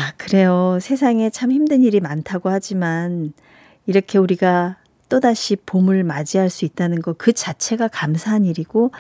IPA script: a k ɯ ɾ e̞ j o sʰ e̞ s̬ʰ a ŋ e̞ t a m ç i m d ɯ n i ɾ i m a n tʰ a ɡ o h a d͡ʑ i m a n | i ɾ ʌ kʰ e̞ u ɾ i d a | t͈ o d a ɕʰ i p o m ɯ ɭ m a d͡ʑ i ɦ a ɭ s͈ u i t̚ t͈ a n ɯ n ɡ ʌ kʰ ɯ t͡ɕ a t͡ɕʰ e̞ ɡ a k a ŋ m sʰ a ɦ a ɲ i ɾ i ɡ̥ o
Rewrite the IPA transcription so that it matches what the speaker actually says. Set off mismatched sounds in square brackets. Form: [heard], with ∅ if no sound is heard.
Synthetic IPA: a k ɯ ɾ e̞ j o sʰ e̞ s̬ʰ a ŋ e̞ [t͡ɕʰ] a m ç i m d ɯ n i ɾ i m a n tʰ a ɡ o h a d͡ʑ i m a n | i ɾ ʌ kʰ e̞ u ɾ i [ɡ] a | t͈ o d a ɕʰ i p o m ɯ ɭ m a d͡ʑ i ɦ a ɭ s͈ u i t̚ t͈ a n ɯ n ɡ ʌ [k] ɯ t͡ɕ a t͡ɕʰ e̞ ɡ a k a [∅] m sʰ a ɦ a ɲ i ɾ i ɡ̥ o